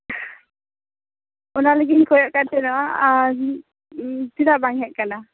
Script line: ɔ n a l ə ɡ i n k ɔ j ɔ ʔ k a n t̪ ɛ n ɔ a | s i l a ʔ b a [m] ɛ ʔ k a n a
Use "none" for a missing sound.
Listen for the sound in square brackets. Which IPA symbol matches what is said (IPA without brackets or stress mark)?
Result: ŋ